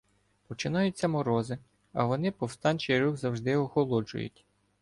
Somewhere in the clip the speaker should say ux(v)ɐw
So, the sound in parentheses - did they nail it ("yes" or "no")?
no